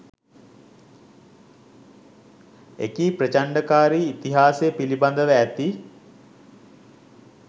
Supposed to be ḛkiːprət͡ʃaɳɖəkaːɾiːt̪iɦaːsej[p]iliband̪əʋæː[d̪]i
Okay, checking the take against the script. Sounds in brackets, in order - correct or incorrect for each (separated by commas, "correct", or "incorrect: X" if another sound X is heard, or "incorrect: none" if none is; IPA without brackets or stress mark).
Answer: correct, incorrect: t̪